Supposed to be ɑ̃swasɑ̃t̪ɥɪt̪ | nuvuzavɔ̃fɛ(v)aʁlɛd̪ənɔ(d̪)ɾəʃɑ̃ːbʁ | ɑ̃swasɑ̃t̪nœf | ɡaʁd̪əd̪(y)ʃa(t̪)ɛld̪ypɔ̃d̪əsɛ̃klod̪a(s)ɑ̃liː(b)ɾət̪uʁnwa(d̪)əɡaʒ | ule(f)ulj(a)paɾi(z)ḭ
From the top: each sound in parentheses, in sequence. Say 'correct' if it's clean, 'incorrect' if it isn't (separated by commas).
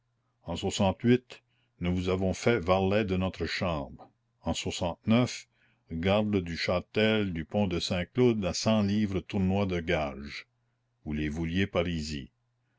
correct, incorrect, correct, correct, correct, incorrect, correct, incorrect, incorrect, correct